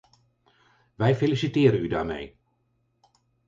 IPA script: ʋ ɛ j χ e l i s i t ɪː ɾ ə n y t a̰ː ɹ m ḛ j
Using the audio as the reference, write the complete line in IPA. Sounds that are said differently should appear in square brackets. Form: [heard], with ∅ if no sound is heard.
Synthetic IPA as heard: ʋ ɛ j [f] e l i s i t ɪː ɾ ə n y [d] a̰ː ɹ m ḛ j